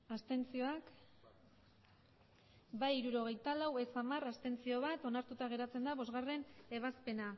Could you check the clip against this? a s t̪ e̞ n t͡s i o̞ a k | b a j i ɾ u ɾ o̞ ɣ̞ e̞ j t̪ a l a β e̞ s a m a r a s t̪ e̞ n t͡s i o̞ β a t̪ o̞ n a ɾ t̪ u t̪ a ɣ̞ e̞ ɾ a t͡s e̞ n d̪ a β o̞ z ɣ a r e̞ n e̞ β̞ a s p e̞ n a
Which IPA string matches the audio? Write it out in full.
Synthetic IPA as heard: a s t̪ e̞ n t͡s i o̞ a k | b a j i ɾ u ɾ o̞ ɣ̞ e̞ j t̪ a l a w e̞ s a m a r a s t̪ e̞ n t͡s i o̞ β a t̪ o̞ n a ɾ t̪ u t̪ a ɣ̞ e̞ ɾ a t͡s e̞ n d̪ a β o̞ z ɣ a r e̞ n e̞ β̞ a s p e̞ n a